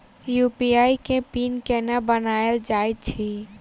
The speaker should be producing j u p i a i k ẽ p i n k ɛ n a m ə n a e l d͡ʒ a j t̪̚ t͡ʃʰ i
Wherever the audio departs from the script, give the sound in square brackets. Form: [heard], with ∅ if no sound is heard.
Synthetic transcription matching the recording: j u p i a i k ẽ p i n k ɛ n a [b] ə n a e l d͡ʒ a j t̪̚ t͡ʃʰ i